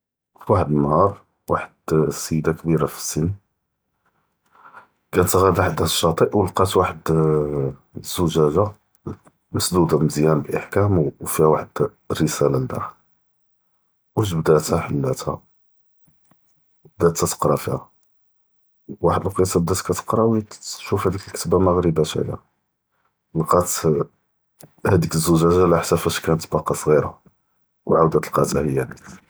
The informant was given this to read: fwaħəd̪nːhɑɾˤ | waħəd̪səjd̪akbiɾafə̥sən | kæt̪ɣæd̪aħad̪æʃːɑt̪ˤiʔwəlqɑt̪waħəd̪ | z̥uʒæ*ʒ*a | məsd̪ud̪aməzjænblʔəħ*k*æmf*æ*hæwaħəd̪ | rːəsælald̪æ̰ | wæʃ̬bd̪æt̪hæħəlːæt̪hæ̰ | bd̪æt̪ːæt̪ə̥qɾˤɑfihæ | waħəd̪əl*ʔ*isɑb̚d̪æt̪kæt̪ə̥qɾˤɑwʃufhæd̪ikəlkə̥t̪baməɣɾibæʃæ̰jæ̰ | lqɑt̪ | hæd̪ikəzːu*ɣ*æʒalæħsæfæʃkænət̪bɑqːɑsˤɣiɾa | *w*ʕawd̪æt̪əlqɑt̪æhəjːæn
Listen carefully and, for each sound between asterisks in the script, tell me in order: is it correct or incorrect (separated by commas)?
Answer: correct, correct, incorrect, incorrect, incorrect, correct